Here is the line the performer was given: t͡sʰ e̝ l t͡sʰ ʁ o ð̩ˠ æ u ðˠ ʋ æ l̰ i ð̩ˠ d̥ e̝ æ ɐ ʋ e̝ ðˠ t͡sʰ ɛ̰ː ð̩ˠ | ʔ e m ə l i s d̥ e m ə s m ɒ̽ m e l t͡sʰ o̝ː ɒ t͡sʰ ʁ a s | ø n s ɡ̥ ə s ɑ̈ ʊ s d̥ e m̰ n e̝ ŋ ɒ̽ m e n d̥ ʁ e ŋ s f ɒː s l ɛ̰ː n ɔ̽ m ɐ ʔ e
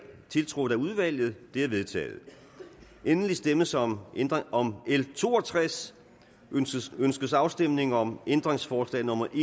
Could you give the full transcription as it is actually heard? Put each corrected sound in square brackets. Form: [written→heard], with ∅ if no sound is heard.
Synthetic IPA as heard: t͡sʰ e̝ l t͡sʰ ʁ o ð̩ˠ æ u ðˠ ʋ æ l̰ [i→j] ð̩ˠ d̥ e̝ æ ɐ ʋ e̝ ðˠ t͡sʰ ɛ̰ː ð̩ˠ | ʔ e [m→n] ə l i s d̥ e m ə s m ɒ̽ m e l t͡sʰ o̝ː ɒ t͡sʰ ʁ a s | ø n s ɡ̥ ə s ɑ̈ ʊ s d̥ e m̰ n e̝ ŋ ɒ̽ m e n d̥ ʁ e ŋ s f ɒː s l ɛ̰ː n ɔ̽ m ɐ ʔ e